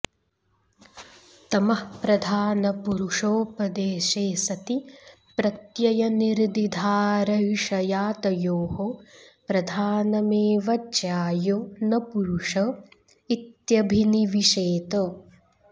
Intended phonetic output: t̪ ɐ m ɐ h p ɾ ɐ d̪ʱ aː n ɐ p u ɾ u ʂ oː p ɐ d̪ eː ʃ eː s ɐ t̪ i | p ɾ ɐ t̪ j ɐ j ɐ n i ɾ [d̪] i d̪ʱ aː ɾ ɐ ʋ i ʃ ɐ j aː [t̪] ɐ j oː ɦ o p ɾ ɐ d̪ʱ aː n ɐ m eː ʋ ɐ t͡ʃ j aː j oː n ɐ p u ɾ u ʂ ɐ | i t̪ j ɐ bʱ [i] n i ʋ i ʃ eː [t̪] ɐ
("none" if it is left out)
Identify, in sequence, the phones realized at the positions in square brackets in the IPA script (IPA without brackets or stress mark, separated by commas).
d̪, t̪, i, t̪